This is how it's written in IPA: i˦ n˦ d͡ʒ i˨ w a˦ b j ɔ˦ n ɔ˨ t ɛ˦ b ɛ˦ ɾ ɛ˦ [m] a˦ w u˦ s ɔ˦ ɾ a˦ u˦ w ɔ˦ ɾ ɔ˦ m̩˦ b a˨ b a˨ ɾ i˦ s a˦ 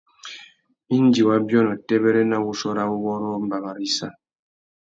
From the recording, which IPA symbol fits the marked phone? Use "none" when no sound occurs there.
n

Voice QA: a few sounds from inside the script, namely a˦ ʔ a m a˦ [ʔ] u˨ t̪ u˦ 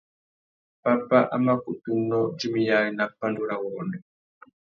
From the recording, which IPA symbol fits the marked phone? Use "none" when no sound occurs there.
k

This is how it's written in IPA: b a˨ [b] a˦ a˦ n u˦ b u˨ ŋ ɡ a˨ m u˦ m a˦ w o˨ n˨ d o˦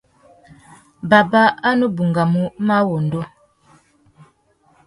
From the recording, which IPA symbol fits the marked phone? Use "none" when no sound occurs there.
b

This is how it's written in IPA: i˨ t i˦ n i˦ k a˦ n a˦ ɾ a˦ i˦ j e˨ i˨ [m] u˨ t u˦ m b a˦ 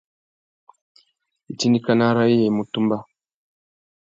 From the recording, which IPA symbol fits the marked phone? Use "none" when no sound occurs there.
m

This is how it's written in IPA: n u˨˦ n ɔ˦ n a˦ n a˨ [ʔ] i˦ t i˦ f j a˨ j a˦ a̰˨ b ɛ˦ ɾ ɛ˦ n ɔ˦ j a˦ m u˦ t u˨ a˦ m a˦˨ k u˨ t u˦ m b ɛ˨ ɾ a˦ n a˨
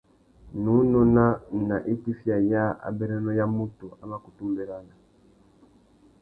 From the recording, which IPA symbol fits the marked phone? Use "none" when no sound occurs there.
ʔ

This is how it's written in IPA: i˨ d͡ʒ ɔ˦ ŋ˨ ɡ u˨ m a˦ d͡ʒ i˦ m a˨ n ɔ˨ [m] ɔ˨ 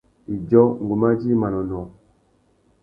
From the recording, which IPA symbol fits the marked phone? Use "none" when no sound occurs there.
n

